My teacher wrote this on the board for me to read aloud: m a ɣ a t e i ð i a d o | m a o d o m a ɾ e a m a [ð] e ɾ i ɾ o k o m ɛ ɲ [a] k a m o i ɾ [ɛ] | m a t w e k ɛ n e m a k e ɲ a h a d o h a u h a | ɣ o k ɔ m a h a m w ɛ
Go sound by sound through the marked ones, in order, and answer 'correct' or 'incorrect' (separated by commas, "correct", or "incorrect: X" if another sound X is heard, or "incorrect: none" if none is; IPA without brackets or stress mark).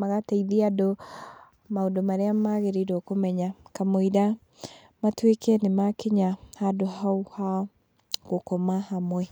incorrect: ɣ, correct, incorrect: a